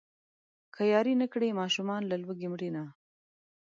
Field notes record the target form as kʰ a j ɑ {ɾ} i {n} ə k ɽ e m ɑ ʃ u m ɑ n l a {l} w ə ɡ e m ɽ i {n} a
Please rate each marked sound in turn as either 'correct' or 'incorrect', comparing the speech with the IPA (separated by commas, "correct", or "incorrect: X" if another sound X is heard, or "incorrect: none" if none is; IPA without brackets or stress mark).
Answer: correct, correct, correct, correct